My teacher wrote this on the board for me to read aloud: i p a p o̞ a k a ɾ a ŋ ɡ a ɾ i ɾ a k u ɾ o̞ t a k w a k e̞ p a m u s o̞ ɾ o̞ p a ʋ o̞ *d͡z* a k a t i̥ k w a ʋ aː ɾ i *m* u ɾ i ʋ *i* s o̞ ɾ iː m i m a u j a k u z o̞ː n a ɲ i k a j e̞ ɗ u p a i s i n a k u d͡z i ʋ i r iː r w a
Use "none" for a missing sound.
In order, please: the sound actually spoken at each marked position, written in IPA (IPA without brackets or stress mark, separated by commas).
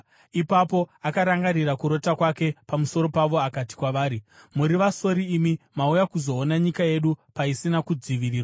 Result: none, m, a